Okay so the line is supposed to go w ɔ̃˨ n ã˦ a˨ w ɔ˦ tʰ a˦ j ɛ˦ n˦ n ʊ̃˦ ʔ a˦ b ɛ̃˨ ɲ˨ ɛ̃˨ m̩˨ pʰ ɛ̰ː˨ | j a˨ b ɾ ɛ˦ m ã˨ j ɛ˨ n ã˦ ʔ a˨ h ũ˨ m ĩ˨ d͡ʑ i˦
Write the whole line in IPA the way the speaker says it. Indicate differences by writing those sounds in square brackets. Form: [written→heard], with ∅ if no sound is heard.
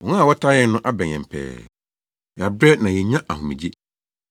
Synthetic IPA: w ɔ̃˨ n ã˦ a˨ w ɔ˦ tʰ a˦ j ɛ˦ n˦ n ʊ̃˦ ʔ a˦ b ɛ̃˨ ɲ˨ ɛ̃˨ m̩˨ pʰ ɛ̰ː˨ | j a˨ b ɾ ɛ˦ [m→n] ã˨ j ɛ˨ [n→ɲ] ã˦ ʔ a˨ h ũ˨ m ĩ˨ d͡ʑ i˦

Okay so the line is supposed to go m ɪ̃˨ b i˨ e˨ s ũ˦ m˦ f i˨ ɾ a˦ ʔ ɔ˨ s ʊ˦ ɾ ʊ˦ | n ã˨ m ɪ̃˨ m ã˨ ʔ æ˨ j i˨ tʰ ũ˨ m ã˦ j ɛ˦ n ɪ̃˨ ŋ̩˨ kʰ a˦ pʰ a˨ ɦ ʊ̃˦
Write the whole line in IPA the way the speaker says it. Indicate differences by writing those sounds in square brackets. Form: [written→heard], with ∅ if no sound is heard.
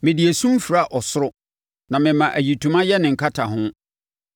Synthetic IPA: m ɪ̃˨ [b→d] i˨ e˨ s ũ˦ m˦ f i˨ ɾ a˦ ʔ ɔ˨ s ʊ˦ ɾ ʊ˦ | n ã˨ m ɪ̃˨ m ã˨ ʔ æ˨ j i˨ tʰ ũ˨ m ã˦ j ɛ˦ n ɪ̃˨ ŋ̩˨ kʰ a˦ [pʰ→tʰ] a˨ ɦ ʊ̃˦

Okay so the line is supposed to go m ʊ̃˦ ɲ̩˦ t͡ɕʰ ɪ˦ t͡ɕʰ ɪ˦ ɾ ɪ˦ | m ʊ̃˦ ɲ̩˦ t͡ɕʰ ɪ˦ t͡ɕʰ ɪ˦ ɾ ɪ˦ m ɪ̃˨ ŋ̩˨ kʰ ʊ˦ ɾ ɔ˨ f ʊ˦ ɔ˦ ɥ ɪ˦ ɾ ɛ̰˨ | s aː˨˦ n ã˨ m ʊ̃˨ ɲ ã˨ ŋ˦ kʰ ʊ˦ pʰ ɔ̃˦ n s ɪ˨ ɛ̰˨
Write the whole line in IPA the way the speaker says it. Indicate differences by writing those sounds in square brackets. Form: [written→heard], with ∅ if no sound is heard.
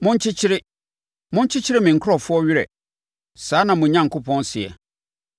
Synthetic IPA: m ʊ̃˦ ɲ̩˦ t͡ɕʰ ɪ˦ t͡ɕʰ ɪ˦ ɾ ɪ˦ | m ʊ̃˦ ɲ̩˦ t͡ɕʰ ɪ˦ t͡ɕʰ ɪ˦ ɾ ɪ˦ m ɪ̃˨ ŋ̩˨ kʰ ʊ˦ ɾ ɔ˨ f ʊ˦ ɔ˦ ɥ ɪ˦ ɾ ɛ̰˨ | s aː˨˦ n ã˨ m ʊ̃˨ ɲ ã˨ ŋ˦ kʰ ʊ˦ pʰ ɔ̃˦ n s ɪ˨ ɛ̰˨

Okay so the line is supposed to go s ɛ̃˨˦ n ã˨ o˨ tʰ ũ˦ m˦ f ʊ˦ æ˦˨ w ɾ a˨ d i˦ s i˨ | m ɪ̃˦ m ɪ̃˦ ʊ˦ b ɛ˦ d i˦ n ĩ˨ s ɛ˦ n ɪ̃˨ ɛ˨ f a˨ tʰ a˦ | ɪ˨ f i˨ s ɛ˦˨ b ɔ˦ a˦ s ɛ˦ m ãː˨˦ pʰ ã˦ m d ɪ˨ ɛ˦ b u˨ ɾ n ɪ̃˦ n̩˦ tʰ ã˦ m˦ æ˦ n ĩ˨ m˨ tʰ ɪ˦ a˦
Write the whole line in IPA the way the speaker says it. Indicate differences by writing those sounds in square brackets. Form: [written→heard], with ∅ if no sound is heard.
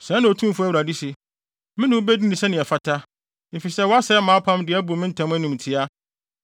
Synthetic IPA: s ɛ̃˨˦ n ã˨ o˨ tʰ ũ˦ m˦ f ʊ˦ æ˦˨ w ɾ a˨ d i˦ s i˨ | m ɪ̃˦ [m→n] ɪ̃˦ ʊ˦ b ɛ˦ d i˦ n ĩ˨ s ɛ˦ n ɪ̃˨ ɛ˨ f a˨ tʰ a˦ | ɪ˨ f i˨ s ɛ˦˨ [b→w] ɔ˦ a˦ s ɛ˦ m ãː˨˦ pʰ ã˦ m d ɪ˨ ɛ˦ b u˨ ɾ [n→m] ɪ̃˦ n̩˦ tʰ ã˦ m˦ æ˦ n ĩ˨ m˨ tʰ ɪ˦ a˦

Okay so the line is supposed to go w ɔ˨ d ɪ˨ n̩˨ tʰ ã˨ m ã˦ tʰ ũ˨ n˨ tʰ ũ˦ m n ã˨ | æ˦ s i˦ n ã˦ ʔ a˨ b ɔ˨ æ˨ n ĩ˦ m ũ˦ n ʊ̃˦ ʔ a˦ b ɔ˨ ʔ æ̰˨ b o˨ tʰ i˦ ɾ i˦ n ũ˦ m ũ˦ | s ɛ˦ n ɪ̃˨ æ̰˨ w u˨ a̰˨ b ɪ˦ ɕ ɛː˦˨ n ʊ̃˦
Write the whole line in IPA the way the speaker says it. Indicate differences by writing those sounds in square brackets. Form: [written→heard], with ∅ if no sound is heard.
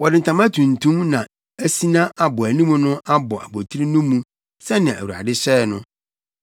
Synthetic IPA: w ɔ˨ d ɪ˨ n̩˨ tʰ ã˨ m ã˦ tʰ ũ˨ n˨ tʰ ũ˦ m n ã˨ | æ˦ s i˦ n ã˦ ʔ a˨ b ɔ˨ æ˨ n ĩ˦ m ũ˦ n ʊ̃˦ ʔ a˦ b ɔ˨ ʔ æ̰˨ b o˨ tʰ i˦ ɾ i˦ n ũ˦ m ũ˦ | s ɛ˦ n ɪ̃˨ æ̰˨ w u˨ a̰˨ [b→d] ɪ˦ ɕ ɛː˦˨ n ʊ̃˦

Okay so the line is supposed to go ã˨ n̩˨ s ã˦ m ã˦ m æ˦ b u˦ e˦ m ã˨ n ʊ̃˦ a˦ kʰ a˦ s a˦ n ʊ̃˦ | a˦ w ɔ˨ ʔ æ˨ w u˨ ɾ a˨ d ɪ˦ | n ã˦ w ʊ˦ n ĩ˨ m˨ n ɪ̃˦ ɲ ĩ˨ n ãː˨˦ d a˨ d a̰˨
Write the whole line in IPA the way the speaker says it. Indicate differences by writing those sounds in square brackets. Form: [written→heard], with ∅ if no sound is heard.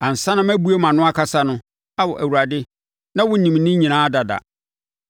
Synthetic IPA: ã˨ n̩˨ s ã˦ [m→n] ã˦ m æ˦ b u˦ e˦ m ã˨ n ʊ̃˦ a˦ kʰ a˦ s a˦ n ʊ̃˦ | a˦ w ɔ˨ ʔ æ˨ w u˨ ɾ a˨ d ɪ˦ | n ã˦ w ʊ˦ n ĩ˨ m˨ n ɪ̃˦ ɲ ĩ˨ n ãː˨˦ d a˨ d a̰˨

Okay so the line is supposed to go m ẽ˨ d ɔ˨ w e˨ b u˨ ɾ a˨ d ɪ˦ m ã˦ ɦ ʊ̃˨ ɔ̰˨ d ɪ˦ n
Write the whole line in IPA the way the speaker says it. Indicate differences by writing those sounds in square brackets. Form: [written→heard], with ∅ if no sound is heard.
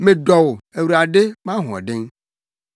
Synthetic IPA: m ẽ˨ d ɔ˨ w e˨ [b→w] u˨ ɾ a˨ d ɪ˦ m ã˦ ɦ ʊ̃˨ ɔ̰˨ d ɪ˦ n

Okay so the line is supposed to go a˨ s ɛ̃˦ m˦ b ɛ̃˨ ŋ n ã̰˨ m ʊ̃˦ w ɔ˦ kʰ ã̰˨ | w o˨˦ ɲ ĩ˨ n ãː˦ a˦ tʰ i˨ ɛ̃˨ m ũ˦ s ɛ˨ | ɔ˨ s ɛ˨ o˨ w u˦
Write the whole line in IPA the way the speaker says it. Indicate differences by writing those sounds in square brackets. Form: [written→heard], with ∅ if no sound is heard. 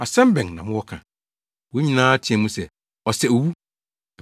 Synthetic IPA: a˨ s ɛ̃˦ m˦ b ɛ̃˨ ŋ n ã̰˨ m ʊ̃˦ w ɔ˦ kʰ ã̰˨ | w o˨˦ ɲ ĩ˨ n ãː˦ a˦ tʰ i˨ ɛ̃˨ m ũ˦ s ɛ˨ | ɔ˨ s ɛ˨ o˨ w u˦

